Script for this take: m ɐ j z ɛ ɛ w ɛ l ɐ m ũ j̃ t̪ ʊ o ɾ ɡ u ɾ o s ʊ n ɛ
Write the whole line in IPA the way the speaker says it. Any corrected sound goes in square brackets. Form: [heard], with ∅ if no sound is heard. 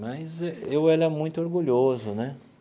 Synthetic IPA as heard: m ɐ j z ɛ [e] w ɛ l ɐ m ũ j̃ t̪ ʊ o ɾ ɡ u [ʎ] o [z] ʊ n ɛ

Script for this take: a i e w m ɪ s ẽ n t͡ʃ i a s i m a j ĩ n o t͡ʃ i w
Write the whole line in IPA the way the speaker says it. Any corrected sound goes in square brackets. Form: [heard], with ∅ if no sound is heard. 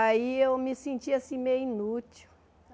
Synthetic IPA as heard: a i e w m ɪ s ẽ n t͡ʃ i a s [ĩ] m [e] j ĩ n [u] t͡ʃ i w

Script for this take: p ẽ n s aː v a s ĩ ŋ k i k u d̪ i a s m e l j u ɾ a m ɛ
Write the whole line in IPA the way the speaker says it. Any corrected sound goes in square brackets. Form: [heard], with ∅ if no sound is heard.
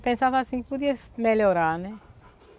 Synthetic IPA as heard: p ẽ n s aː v a s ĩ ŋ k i [p] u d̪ i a s m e l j [o] ɾ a [n] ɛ

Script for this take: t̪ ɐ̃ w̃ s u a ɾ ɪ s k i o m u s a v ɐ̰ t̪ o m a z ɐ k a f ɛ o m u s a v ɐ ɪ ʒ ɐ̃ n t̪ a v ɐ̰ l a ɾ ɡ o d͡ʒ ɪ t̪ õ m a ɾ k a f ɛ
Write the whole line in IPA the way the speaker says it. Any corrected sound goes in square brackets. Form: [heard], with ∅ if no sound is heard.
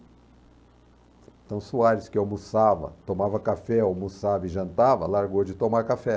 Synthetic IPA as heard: t̪ ɐ̃ w̃ s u a ɾ ɪ s k [ɪ] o m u s a v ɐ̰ t̪ o m a [v] ɐ k a f ɛ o m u s a v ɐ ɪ ʒ ɐ̃ n t̪ a v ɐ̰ l a ɾ ɡ o d͡ʒ ɪ t̪ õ m a ɾ k a f ɛ

